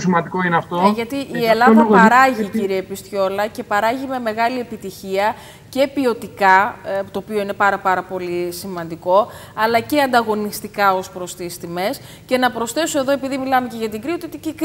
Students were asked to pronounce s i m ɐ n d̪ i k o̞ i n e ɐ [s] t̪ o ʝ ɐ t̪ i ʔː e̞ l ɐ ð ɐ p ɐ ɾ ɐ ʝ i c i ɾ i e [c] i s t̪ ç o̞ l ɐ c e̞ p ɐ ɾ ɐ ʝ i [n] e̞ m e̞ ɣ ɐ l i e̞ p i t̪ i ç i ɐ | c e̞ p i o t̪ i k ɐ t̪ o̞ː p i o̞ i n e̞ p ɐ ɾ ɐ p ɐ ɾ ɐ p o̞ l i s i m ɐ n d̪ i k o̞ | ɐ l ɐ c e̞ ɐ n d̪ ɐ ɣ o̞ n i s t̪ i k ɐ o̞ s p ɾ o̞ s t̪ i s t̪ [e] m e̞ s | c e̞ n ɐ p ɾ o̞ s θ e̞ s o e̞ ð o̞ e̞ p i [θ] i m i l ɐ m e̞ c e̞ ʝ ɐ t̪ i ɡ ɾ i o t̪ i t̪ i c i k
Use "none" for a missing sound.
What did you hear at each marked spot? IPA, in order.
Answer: f, p, m, i, ð

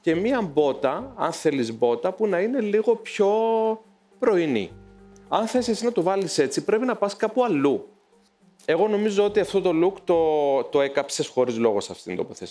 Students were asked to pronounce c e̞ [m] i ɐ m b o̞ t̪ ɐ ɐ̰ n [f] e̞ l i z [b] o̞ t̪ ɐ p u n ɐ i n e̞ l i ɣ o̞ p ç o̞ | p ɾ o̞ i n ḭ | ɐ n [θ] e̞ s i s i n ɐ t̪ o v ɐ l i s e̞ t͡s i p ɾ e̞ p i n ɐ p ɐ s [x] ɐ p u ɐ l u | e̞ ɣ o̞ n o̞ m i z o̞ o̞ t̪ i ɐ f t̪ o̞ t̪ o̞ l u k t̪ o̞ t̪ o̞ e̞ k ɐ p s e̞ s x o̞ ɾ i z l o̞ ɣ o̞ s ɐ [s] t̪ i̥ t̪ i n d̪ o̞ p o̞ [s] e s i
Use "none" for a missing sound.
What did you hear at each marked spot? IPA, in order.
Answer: m, θ, b, θ, k, f, θ

